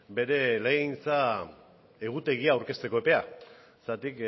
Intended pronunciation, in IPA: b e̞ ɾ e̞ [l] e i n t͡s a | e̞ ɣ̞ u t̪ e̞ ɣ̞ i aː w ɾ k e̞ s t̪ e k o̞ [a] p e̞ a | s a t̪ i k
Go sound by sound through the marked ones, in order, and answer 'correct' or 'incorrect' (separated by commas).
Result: correct, incorrect